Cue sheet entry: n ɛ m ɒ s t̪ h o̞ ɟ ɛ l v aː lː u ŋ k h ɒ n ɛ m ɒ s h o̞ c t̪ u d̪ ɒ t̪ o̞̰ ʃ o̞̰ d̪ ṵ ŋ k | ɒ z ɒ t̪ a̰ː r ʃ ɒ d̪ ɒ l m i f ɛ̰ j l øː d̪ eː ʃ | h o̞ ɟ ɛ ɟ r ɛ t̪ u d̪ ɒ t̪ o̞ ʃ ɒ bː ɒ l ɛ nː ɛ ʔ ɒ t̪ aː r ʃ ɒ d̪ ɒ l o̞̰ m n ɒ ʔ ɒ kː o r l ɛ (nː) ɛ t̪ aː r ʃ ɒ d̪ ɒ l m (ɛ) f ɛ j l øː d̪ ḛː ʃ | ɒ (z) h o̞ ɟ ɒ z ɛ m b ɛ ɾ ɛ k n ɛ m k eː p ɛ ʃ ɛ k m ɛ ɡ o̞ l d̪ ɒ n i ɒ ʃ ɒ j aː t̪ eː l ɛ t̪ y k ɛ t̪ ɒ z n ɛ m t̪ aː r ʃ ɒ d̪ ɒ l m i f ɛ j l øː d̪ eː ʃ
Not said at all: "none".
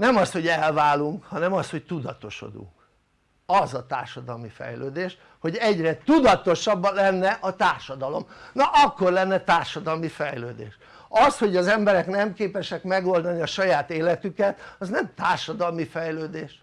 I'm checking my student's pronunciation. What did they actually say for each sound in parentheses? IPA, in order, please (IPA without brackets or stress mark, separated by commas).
nː, i, s